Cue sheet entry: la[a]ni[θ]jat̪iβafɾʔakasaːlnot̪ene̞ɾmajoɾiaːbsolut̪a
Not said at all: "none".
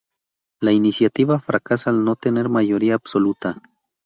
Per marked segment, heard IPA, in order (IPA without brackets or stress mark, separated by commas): i, s